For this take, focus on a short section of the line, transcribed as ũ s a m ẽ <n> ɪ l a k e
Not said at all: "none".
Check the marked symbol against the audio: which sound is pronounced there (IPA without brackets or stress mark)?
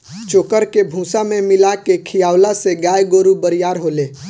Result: m